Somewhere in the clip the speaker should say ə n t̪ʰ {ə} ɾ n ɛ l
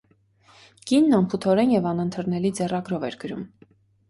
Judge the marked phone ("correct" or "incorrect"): correct